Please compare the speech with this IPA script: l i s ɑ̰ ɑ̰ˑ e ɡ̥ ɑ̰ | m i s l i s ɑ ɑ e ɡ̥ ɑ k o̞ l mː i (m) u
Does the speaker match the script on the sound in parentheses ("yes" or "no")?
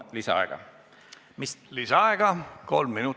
no